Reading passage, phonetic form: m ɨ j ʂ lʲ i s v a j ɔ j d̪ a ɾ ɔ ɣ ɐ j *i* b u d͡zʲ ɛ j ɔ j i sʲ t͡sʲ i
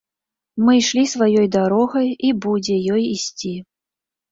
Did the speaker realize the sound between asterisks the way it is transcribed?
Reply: yes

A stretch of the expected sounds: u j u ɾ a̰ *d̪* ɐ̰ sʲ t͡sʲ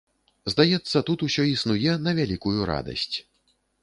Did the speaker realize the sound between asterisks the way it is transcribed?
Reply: yes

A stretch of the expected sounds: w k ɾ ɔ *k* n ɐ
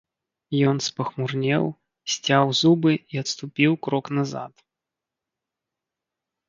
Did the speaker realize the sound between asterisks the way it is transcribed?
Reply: yes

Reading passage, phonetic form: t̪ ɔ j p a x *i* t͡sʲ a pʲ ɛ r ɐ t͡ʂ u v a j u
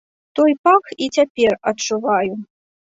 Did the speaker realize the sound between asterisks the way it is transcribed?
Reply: yes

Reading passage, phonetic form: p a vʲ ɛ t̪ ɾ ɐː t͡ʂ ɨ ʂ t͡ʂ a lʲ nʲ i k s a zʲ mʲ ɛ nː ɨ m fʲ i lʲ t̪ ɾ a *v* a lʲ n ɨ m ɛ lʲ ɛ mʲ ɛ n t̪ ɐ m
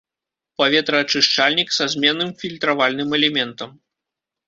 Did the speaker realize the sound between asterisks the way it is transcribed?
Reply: yes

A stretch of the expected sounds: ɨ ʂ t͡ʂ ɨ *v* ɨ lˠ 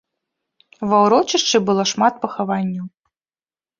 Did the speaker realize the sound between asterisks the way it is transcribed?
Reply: no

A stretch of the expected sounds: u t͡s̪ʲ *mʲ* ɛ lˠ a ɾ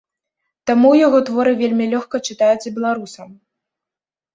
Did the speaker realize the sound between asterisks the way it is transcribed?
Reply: no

